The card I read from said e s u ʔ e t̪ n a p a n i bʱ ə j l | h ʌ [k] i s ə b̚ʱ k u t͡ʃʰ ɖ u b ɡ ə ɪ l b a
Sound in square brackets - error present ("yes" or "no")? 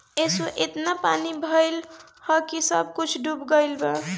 no